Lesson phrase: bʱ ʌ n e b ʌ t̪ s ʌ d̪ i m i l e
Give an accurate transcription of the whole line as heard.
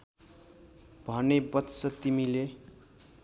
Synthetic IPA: bʱ ʌ n e b ʌ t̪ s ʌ t̪ i m i l e